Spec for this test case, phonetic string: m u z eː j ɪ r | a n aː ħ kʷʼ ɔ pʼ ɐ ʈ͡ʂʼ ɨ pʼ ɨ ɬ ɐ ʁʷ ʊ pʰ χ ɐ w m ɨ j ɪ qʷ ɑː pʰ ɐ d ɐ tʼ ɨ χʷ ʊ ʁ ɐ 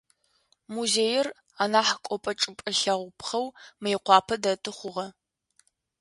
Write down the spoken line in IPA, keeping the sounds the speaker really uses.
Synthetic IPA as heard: m u z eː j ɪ r | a n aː ħ kʷʼ ɔ pʼ ɐ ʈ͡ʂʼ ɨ pʼ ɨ ɬ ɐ ʁʷ ʊ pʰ χ ɐ w m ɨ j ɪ qʷ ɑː pʰ ɐ d ɐ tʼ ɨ χʷ ʊ ʁ ɐ